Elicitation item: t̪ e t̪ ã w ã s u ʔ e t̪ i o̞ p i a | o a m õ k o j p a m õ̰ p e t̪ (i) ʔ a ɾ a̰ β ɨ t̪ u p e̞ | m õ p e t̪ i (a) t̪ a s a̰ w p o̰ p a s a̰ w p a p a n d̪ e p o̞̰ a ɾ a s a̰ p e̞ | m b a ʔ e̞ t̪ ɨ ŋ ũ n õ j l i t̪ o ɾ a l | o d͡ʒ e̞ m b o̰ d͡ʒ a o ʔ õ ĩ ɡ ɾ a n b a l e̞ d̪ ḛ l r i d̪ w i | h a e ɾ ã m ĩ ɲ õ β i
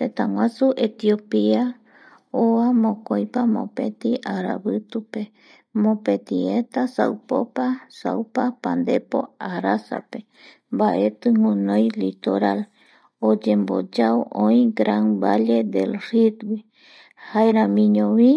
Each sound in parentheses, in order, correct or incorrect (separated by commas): correct, incorrect